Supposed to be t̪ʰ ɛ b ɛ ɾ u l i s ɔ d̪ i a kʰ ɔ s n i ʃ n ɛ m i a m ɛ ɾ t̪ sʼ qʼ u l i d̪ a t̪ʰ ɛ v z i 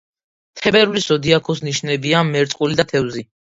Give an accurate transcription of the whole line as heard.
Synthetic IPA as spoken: t̪ʰ ɛ b ɛ ɾ u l i s ɔ d̪ i a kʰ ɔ s n i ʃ n ɛ b i a m ɛ ɾ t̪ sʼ qʼ u l i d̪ a t̪ʰ ɛ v z i